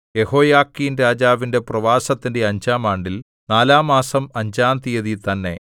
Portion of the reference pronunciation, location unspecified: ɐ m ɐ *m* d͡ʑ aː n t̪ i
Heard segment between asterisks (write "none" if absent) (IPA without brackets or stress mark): ɲ